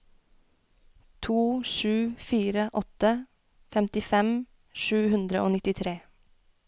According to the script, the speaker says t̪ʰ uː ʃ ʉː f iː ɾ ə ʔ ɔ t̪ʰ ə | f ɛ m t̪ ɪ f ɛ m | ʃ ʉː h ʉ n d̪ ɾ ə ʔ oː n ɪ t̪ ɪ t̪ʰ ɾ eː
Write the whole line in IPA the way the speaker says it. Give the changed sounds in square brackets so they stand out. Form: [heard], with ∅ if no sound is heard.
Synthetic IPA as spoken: t̪ʰ uː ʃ ʉː f iː ɾ ə ʔ ɔ [t̪] ə | f ɛ m t̪ ɪ f ɛ m | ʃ ʉː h ʉ n d̪ ɾ ə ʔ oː n ɪ t̪ ɪ t̪ʰ ɾ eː

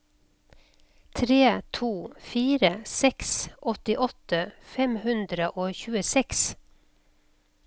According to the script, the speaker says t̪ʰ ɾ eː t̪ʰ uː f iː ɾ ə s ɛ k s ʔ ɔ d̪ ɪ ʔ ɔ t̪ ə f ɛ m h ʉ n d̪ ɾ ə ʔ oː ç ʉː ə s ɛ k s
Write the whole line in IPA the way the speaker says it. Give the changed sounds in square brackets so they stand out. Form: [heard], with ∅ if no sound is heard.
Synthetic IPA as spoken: t̪ʰ ɾ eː t̪ʰ uː f iː ɾ ə s ɛ k s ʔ ɔ [t̪] ɪ ʔ ɔ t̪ ə f ɛ m h ʉ n d̪ ɾ ə ʔ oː ç ʉː ə s ɛ k s

